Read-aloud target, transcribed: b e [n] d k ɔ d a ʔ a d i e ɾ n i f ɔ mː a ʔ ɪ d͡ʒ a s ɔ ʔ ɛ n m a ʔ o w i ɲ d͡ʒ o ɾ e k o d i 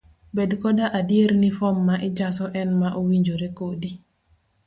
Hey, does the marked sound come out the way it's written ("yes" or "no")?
no